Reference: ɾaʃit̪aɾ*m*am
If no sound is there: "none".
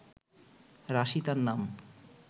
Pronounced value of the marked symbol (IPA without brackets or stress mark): n